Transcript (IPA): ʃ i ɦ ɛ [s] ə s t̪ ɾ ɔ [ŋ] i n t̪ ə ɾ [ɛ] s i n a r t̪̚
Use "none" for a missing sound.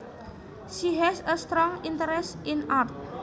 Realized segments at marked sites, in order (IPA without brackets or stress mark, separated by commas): s, ŋ, ɛ